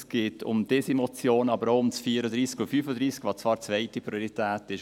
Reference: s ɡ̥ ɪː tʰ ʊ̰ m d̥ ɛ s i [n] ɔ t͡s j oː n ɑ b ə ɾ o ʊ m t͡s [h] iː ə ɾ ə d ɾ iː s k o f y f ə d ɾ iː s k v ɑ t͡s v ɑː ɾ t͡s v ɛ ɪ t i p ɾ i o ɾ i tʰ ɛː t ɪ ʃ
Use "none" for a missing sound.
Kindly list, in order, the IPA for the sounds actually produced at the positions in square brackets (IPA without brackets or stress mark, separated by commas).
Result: m, f